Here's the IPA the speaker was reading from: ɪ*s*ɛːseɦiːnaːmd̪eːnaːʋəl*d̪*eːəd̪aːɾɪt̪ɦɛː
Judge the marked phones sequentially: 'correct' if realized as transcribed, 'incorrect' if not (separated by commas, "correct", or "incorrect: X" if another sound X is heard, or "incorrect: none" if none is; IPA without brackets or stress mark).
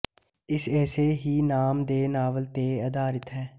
correct, incorrect: t̪